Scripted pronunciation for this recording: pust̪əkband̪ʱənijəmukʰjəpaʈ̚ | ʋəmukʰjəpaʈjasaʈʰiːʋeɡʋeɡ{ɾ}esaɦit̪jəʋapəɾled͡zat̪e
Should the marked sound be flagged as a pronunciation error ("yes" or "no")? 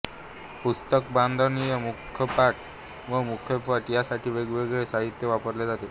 yes